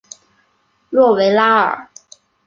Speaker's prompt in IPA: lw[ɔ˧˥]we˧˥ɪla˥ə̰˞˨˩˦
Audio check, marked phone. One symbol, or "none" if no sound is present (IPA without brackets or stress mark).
ɔ˥˩